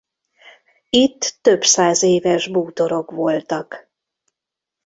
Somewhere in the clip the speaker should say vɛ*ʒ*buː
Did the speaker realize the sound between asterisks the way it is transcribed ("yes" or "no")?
yes